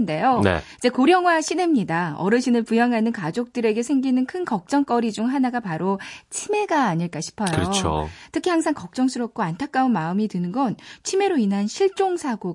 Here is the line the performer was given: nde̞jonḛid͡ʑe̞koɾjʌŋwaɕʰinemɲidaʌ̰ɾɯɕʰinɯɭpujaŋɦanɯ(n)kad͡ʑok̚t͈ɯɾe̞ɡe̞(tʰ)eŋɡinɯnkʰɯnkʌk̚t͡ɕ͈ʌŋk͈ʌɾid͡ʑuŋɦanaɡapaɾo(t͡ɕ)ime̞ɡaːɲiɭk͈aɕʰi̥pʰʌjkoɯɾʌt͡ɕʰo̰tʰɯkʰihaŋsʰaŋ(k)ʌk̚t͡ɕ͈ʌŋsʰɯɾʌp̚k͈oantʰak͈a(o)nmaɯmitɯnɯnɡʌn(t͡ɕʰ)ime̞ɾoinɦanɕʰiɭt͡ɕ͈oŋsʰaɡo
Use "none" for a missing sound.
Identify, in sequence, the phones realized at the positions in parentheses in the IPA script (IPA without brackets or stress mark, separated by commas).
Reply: n, sʰ, t͡ɕʰ, k, u, t͡ɕʰ